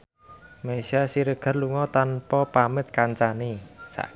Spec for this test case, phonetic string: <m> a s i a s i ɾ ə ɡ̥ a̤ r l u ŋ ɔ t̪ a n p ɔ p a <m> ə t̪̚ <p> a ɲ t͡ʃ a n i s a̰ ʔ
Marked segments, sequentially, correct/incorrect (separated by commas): correct, correct, incorrect